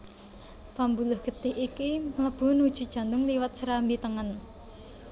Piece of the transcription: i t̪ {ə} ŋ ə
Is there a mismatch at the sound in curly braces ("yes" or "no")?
no